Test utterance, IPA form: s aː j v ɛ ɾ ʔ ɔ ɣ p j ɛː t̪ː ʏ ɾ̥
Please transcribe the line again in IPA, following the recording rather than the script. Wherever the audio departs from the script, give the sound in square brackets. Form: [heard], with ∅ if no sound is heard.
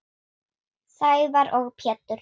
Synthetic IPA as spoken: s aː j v [a] ɾ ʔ ɔ ɣ [pʰ] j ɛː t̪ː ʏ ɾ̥